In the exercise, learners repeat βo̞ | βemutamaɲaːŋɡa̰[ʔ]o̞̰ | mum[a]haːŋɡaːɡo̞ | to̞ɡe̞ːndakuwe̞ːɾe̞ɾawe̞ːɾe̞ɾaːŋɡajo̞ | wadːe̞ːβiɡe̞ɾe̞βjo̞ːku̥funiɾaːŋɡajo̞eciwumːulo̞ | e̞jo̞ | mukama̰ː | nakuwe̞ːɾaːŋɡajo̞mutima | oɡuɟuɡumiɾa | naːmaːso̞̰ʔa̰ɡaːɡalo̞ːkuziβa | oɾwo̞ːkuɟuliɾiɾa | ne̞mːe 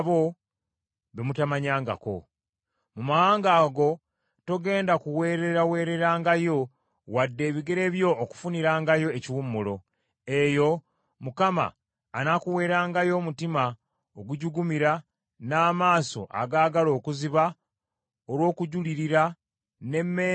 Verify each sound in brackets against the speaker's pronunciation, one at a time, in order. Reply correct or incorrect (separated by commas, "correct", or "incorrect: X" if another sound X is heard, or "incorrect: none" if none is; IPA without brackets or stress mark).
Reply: incorrect: k, correct